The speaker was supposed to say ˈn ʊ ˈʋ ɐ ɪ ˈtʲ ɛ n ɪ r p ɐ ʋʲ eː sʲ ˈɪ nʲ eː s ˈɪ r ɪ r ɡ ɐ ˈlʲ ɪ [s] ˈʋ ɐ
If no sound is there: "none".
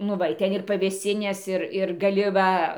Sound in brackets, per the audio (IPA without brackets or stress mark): none